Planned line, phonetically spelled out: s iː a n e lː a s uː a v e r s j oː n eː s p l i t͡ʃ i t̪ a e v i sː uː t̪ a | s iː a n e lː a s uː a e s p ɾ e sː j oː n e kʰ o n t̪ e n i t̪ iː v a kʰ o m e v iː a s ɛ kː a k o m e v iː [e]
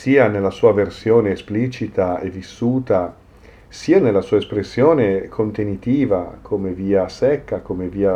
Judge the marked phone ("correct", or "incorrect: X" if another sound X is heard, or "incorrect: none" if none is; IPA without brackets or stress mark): incorrect: a